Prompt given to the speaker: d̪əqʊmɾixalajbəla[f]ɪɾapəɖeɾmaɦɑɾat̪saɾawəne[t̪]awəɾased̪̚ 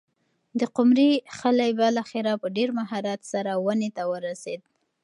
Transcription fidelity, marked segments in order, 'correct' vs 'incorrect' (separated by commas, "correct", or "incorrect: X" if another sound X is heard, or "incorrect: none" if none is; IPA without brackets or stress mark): incorrect: x, correct